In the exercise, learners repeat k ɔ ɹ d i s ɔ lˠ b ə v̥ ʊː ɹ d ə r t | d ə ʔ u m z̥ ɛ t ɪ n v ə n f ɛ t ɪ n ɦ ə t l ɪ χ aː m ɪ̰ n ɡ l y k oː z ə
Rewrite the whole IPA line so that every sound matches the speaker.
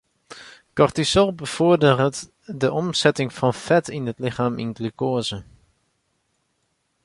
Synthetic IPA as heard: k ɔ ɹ t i s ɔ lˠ b ə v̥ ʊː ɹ d ə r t | d ə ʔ ɔ m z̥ ɛ t ɪ ŋ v ɑ n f ɛ t ɪ n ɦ ə t l ɪ χ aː m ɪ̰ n ɡ l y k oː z ə